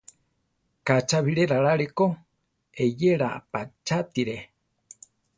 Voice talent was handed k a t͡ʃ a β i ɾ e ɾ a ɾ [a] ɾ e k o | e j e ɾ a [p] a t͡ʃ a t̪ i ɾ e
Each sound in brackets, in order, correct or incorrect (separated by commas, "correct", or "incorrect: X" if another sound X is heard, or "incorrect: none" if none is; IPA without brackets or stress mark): correct, correct